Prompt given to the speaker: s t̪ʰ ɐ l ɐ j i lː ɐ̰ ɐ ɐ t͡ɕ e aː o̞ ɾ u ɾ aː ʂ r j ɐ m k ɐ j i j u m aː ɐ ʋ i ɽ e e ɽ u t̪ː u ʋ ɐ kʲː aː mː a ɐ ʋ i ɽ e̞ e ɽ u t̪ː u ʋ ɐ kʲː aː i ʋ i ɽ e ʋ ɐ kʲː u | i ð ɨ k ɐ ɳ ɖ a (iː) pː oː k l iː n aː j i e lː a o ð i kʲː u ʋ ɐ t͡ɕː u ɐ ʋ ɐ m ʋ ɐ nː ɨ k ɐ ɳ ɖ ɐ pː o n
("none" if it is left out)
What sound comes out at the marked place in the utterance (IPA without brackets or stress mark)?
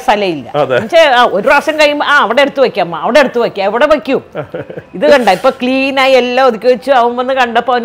i